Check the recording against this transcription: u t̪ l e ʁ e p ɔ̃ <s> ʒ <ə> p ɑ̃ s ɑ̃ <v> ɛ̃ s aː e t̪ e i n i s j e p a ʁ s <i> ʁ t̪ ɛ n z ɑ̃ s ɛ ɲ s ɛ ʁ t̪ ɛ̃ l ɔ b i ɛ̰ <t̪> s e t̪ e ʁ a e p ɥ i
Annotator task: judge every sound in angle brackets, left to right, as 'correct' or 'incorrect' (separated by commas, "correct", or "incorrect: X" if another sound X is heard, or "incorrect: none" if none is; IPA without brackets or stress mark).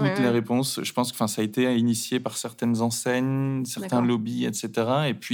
correct, correct, incorrect: f, incorrect: ɛ, correct